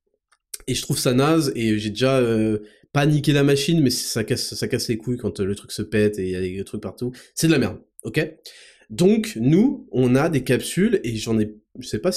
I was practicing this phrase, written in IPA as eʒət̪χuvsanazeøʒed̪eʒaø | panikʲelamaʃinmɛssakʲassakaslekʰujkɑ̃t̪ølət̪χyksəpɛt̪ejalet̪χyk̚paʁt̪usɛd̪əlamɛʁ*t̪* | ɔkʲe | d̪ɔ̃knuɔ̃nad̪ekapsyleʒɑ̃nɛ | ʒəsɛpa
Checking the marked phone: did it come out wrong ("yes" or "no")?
yes